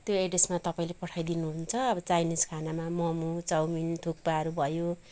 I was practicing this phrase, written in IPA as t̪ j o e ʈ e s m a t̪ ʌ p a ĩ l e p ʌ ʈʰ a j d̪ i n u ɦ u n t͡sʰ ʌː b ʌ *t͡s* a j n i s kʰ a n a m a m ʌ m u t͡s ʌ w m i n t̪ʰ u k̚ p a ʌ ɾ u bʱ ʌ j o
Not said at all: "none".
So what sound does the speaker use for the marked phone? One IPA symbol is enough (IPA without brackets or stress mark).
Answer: t͡s